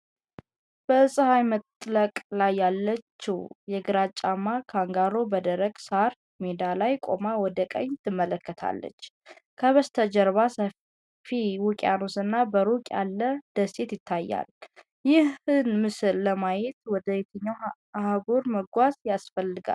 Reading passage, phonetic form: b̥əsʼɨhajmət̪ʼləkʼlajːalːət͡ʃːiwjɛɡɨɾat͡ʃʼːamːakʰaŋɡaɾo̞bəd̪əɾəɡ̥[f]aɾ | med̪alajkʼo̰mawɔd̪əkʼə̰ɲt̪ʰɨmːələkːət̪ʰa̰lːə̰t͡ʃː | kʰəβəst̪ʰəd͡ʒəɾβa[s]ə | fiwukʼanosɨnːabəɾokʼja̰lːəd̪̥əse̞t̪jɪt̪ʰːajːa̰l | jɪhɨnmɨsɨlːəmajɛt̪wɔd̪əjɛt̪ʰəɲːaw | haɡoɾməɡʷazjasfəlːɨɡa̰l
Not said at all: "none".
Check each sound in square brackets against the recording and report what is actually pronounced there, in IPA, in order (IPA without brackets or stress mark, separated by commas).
s, s